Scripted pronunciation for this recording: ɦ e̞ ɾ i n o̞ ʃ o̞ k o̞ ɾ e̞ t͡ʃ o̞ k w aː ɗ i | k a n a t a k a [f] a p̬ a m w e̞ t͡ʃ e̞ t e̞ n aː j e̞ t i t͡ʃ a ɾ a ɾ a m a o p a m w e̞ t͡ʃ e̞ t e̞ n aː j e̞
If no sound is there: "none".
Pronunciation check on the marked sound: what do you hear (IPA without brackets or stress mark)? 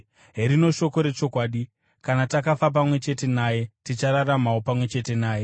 f